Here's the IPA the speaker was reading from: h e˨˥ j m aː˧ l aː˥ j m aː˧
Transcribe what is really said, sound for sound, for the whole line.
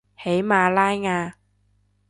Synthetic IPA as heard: h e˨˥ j m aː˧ l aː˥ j ŋ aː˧